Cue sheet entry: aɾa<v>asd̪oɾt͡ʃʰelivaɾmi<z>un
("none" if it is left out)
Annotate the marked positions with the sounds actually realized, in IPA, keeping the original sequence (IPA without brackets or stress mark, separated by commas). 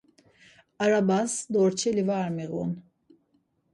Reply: b, ɣ